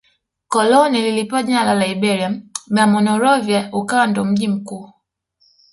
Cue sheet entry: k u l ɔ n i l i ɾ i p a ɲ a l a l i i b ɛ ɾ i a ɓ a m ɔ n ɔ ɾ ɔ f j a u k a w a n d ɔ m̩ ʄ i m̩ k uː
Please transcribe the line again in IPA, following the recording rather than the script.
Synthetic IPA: k ɔ l ɔ n i l i l i p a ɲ a l a l a i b ɛ ɾ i a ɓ a m ɔ n ɔ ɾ ɔ v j a u k a w a n d ɔ m̩ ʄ i m̩ k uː